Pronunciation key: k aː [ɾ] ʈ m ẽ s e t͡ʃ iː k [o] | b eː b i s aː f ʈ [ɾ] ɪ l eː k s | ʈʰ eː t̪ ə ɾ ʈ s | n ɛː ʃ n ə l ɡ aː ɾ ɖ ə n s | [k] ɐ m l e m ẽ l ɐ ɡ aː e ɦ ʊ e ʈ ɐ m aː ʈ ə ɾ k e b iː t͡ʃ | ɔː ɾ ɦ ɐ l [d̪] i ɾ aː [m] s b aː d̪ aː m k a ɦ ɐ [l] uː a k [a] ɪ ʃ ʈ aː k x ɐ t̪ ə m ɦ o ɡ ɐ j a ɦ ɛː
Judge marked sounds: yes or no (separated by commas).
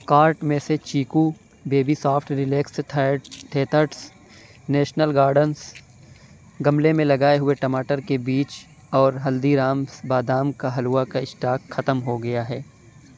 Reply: yes, no, yes, no, yes, yes, yes, yes